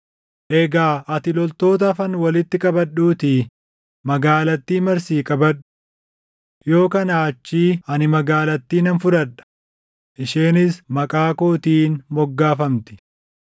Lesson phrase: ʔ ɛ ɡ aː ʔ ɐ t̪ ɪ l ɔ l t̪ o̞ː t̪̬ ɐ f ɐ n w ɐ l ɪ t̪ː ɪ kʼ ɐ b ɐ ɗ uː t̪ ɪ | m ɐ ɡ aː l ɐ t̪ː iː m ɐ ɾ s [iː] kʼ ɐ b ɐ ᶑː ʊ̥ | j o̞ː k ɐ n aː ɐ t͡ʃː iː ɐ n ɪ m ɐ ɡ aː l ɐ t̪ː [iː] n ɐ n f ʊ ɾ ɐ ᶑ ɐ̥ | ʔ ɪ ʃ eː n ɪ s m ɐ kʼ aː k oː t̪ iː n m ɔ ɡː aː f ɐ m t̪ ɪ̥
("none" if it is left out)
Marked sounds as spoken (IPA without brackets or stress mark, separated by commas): iː, iː